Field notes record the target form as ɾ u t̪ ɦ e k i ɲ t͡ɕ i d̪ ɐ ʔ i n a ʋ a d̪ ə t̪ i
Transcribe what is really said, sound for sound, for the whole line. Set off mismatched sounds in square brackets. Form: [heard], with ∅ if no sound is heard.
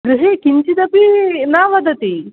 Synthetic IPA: ɾ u [∅] ɦ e k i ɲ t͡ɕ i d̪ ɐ [p] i n a ʋ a d̪ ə t̪ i